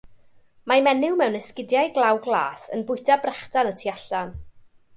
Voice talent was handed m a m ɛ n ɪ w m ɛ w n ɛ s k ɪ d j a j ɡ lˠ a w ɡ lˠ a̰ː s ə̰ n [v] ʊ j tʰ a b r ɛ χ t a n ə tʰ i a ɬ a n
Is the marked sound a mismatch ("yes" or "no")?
yes